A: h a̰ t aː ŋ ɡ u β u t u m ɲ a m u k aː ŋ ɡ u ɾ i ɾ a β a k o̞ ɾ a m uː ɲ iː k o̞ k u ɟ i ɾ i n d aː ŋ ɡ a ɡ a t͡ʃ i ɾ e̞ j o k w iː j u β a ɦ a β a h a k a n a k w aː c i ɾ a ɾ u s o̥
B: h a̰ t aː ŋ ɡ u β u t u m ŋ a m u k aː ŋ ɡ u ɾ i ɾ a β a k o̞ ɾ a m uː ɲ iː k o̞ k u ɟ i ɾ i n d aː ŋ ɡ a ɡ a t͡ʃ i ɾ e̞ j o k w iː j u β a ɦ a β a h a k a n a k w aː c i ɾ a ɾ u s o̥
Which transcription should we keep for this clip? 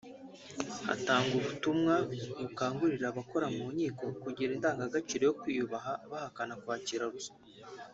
B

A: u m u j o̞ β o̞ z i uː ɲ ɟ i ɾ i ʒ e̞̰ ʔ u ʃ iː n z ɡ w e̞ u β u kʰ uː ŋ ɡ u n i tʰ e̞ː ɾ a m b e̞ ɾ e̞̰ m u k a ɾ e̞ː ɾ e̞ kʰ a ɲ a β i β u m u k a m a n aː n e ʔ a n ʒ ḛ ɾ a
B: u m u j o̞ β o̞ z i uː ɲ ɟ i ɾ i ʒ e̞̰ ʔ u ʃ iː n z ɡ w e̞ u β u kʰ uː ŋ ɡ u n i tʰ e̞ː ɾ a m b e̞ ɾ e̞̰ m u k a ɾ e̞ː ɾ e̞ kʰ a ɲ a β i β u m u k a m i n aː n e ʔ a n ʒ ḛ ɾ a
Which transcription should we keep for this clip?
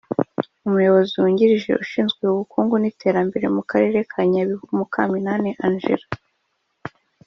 B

